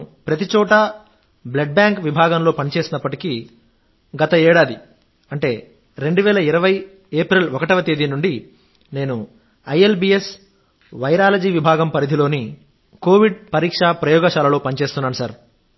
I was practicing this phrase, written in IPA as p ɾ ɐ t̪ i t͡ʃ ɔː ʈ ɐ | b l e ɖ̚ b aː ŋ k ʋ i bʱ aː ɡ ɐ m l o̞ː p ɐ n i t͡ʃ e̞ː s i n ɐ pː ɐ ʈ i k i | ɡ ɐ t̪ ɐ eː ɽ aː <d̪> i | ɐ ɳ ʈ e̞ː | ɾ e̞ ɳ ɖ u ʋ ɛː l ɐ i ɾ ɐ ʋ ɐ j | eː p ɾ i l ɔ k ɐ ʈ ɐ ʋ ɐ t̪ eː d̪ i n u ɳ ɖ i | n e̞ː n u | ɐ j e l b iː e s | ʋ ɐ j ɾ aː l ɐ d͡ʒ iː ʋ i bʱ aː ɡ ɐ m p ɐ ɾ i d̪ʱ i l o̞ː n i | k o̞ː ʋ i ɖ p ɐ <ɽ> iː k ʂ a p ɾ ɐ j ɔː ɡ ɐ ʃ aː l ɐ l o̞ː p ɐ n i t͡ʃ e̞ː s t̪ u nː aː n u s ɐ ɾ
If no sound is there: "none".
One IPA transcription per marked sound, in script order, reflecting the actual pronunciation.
d̪, ɾ

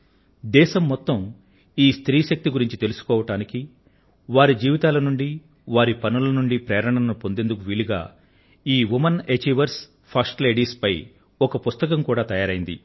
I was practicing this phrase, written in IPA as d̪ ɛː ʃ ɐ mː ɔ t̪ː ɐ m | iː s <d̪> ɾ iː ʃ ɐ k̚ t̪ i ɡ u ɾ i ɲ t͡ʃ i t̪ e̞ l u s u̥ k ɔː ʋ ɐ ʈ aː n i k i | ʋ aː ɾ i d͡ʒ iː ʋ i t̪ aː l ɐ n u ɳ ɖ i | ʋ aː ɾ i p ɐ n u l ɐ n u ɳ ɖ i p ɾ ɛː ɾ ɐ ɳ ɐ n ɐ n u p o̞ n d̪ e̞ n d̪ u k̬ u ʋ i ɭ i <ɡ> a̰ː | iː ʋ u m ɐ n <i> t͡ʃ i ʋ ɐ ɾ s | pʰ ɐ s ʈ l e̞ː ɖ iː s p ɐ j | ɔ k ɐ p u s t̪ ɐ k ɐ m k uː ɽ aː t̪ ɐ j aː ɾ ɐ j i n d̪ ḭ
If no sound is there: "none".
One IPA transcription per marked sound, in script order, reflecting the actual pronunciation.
t̪, ɡ, e

